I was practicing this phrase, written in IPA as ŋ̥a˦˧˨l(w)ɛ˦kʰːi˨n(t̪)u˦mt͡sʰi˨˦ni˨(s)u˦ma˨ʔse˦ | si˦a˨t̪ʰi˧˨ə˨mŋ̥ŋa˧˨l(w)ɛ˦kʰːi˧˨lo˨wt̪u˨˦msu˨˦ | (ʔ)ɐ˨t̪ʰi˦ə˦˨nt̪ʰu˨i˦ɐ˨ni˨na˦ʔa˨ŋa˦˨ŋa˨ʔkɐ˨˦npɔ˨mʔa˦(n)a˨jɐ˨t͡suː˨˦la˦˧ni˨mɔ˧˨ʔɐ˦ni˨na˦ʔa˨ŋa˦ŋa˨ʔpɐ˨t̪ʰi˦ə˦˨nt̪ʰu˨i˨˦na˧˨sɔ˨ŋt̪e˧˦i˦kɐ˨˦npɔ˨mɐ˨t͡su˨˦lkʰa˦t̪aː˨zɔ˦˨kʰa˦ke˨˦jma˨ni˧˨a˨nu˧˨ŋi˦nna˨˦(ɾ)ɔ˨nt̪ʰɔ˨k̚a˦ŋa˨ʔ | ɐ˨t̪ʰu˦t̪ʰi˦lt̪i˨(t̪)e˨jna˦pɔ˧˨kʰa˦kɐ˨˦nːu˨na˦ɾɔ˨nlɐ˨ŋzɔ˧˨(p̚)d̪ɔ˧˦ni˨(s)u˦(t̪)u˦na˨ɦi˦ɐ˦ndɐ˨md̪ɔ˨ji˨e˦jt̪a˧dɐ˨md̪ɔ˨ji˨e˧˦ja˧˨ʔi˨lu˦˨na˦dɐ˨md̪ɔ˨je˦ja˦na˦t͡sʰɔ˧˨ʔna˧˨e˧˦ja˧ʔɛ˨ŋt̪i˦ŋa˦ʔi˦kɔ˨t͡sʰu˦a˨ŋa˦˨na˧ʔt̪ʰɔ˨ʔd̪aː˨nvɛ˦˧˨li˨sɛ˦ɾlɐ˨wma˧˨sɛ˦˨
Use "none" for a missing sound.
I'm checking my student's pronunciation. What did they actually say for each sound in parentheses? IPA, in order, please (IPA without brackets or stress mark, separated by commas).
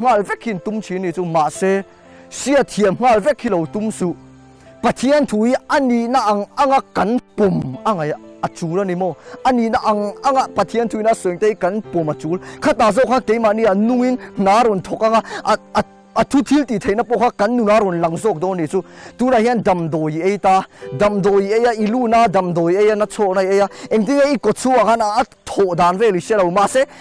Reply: v, t̪, t͡s, v, p, ŋ, ɾ, t̪ʰ, k̚, t͡s, t̪